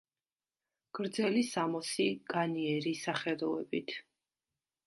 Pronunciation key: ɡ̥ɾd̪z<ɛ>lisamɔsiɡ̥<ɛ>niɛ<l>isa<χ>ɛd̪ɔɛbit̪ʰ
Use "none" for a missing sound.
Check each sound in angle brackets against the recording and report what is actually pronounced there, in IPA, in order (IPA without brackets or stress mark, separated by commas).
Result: ɛ, a, ɾ, χ